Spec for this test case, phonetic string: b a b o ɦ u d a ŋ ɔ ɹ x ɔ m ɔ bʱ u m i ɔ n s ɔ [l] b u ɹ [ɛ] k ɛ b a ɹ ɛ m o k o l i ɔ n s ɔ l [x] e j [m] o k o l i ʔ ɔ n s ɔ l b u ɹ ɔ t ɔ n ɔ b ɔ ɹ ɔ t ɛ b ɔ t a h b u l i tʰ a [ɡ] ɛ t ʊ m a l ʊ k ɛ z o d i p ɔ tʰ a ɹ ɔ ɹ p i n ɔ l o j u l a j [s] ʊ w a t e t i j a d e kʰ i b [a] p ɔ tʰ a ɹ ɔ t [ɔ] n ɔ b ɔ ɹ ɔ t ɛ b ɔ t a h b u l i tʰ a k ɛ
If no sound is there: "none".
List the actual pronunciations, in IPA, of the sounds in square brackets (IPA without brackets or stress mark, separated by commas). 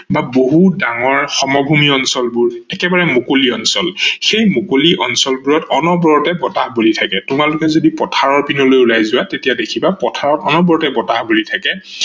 l, ɛ, x, m, k, z, a, ɔ